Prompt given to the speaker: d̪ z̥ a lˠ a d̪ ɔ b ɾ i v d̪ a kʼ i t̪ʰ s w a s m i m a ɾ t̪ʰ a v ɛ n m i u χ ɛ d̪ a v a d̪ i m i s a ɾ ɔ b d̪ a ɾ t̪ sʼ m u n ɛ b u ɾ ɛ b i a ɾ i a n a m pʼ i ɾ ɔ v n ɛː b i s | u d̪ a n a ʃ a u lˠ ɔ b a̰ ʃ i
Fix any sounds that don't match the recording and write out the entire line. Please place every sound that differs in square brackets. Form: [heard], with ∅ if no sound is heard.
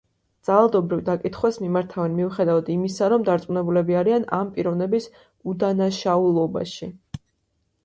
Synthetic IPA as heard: d̪ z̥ a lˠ a d̪ ɔ b ɾ i v d̪ a kʼ i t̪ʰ [χ] w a s m i m a ɾ t̪ʰ a v ɛ n m i u χ ɛ d̪ a v a d̪ i m i s a ɾ ɔ [m] d̪ a ɾ t̪ sʼ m u n ɛ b u [l] ɛ b i a ɾ i a n a m pʼ i ɾ ɔ v n [ɛ] b i s | u d̪ a n a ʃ a u lˠ ɔ b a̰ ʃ i